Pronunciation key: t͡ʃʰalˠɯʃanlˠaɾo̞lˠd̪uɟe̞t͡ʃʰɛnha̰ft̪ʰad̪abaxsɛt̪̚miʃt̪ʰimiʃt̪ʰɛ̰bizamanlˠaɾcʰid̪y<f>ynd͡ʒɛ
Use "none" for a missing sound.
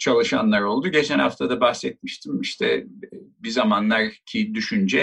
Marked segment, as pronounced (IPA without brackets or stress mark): ʃ